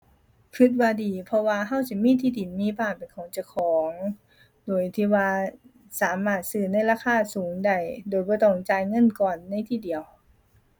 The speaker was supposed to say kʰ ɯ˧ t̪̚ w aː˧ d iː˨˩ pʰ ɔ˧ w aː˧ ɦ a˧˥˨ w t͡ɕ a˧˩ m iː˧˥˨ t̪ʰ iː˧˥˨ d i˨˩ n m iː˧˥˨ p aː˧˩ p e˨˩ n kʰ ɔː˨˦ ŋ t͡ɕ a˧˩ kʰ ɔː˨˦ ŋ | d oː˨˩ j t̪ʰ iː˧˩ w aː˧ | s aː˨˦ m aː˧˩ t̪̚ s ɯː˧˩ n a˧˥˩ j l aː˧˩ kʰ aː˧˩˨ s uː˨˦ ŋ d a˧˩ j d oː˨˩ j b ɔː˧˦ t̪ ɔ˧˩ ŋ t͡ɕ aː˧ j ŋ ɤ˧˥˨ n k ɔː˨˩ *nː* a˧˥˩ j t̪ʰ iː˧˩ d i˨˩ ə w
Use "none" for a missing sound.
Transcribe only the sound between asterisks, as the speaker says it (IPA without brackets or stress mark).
nː